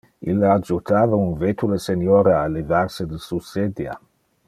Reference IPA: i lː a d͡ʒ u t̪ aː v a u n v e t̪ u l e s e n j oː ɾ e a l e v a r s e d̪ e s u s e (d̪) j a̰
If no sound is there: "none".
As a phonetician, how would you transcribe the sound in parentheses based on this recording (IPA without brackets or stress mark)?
d̪